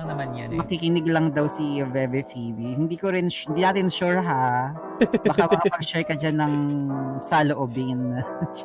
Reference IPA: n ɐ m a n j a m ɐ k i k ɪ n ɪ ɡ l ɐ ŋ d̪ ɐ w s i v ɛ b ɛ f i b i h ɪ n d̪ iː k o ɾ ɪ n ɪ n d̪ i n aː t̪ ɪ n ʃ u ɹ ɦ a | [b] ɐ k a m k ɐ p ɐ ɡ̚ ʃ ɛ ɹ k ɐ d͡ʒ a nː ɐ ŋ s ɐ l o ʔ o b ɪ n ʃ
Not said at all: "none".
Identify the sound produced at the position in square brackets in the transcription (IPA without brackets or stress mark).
b